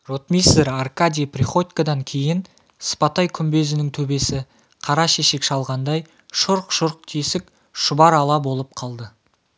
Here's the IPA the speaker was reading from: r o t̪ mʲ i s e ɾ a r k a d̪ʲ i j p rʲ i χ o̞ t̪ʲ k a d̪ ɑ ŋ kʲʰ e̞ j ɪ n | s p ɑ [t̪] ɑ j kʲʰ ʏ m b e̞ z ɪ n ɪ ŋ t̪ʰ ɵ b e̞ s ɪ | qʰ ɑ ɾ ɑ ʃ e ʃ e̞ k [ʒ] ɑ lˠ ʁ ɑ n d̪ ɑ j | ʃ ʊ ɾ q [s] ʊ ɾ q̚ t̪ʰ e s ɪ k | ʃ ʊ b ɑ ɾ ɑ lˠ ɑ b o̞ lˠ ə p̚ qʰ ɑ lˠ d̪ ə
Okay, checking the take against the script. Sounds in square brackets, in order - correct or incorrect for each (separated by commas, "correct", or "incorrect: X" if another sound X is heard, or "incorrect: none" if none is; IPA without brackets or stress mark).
correct, incorrect: ʃ, incorrect: ʃ